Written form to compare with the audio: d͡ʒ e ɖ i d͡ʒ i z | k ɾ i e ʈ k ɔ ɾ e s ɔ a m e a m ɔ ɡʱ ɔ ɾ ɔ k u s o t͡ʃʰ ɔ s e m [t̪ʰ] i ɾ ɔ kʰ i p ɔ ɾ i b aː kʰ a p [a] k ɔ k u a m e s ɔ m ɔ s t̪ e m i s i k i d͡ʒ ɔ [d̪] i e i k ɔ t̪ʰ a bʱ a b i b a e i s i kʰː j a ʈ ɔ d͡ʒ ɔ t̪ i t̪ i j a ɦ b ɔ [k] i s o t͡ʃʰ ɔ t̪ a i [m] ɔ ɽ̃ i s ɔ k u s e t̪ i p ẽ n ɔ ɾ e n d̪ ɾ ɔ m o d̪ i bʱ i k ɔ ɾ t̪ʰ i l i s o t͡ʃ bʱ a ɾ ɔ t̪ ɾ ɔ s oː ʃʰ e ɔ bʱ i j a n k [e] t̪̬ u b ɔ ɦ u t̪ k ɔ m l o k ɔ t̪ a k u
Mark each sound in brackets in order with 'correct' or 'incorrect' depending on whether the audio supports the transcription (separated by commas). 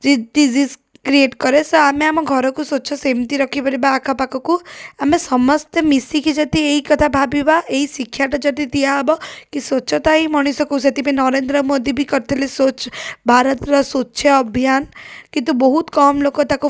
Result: incorrect, correct, incorrect, correct, correct, incorrect